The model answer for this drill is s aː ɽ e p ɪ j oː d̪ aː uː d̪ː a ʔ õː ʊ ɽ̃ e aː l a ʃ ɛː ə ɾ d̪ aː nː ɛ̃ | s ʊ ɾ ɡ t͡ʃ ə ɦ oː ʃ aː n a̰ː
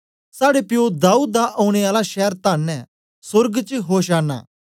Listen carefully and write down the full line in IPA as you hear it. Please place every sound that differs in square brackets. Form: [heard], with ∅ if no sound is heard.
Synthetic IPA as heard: s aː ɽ e p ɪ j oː d̪ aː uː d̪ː a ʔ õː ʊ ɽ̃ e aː l a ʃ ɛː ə ɾ [t̪] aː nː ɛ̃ | s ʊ ɾ ɡ t͡ʃ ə ɦ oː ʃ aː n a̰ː